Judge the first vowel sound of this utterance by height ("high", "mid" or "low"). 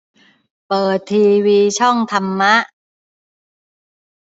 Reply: mid